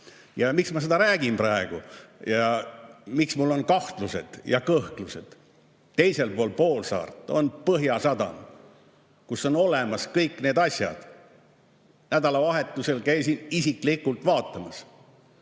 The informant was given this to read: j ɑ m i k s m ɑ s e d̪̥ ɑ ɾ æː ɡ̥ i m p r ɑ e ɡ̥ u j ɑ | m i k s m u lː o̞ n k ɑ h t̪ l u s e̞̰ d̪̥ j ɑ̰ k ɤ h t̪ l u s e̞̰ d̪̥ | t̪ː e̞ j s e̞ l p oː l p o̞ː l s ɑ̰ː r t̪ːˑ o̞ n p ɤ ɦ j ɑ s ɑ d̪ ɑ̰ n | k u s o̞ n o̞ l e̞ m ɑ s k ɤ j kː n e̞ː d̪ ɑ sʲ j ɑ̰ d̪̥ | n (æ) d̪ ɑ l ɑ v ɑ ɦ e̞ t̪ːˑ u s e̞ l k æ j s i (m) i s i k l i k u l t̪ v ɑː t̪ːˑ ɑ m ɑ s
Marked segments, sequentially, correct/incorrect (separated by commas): correct, incorrect